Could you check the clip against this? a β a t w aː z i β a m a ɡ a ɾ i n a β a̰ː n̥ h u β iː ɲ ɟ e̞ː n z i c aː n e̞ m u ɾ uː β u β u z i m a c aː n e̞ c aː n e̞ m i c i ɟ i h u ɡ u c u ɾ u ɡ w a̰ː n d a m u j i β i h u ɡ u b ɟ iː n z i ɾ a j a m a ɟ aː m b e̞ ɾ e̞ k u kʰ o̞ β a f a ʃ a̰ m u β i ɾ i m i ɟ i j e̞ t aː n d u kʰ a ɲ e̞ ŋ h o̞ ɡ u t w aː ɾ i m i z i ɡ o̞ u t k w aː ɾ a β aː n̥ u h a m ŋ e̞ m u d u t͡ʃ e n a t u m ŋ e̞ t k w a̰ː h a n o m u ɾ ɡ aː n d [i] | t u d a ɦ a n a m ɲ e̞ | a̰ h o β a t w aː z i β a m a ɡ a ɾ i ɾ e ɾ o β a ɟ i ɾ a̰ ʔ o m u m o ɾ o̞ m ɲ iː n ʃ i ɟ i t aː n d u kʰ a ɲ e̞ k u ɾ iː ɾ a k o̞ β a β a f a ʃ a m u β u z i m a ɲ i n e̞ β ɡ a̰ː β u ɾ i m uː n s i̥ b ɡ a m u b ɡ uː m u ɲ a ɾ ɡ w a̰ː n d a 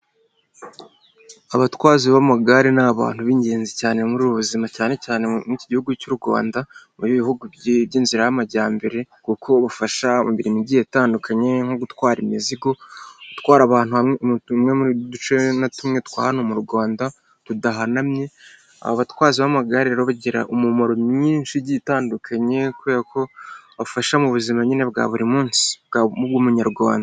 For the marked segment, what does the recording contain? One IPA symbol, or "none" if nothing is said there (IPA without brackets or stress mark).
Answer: a